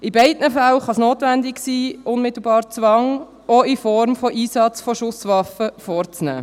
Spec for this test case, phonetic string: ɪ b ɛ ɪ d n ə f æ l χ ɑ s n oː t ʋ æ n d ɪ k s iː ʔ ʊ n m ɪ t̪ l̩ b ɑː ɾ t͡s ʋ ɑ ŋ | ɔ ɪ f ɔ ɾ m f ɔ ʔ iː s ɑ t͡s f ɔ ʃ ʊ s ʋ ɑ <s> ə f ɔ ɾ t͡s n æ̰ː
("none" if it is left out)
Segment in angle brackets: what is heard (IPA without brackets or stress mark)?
f